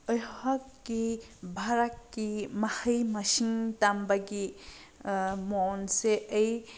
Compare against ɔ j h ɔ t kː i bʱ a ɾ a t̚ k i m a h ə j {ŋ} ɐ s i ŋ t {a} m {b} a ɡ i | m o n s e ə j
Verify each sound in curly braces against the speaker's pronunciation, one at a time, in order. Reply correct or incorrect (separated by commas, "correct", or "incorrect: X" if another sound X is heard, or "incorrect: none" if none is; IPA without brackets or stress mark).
incorrect: m, correct, correct